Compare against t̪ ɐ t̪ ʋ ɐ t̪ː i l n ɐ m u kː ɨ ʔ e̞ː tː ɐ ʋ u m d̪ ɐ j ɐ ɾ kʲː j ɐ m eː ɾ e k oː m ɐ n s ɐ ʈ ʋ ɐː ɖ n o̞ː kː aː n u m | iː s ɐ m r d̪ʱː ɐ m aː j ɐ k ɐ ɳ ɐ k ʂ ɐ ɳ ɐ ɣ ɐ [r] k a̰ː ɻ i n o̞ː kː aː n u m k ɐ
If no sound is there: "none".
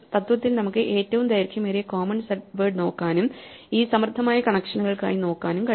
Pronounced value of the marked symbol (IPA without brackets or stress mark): ɭ